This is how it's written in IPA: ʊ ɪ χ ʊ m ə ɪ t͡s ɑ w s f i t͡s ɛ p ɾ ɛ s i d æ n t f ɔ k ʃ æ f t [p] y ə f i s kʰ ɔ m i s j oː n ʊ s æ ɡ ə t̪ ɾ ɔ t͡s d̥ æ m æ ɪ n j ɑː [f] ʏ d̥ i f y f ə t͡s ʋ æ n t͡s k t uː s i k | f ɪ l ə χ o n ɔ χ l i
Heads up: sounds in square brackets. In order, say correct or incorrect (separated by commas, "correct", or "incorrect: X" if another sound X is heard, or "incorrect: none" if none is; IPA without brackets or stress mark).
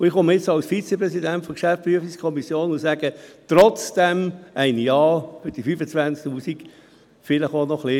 correct, correct